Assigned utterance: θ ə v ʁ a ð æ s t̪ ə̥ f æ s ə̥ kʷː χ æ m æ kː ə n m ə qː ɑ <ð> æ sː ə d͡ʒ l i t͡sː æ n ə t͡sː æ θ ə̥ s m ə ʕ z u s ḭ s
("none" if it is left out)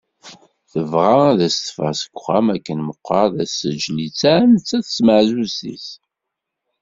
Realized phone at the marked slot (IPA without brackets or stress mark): ð